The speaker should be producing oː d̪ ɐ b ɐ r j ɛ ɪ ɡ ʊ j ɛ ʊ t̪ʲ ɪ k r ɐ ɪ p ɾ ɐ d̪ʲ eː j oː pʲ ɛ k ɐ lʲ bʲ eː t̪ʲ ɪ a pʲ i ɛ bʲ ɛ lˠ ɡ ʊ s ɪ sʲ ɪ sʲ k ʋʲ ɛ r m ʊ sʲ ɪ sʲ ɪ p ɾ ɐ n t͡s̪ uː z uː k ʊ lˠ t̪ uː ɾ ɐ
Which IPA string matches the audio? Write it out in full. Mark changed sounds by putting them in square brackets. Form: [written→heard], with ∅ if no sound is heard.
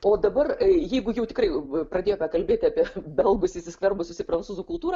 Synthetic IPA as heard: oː d̪ ɐ b ɐ r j ɛ ɪ ɡ ʊ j ɛ ʊ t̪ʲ ɪ k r ɐ ɪ p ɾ ɐ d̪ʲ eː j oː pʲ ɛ k ɐ lʲ bʲ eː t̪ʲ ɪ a pʲ i ɛ bʲ ɛ lˠ ɡ ʊ s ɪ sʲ ɪ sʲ k ʋʲ ɛ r [m→b] ʊ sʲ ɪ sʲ ɪ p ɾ ɐ n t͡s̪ uː z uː k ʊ lˠ t̪ uː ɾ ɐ